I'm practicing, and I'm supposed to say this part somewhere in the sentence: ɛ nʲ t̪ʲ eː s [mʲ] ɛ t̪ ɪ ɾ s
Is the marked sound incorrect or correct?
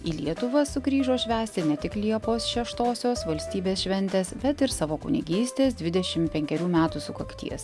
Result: incorrect